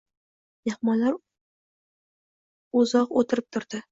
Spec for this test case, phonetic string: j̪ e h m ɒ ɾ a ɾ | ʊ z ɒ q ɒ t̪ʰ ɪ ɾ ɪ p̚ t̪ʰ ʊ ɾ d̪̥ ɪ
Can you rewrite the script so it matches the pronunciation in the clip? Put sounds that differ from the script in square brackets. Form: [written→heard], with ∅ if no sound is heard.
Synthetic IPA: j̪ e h m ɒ [ɾ→l] a ɾ | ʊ z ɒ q [ɒ→o] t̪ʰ ɪ ɾ ɪ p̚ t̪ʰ ʊ ɾ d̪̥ ɪ